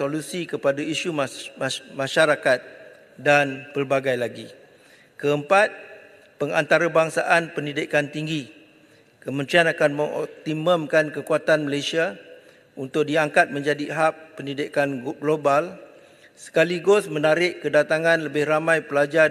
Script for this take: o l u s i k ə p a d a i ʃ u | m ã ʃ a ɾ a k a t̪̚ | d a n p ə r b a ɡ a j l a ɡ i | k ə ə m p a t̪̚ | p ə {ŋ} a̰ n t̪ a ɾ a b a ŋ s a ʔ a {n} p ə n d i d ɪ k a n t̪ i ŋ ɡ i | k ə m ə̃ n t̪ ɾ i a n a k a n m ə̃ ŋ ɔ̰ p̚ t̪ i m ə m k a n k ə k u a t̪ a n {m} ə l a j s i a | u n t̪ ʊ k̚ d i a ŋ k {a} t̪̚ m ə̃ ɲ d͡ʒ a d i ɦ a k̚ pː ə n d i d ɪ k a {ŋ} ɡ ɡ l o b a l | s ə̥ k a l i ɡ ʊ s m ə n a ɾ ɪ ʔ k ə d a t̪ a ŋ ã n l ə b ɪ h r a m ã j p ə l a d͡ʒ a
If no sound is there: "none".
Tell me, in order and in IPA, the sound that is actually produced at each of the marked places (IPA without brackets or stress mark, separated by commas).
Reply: ŋ, n, m, a, n